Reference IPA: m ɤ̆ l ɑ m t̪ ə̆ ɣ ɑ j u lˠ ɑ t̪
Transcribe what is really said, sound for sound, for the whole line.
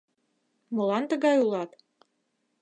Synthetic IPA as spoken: m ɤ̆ l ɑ n t̪ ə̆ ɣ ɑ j u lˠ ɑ t̪